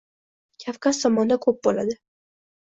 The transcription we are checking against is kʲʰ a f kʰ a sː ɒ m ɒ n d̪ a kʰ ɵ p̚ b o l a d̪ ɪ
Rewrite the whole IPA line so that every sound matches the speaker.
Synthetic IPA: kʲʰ a f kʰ a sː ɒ m ɒ n d̪ a kʰ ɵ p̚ b o l a d̪ ɪ